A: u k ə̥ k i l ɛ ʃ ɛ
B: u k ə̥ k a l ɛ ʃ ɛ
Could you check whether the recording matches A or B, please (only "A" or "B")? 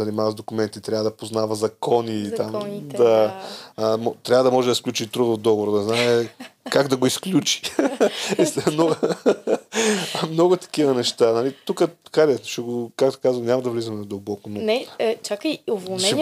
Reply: B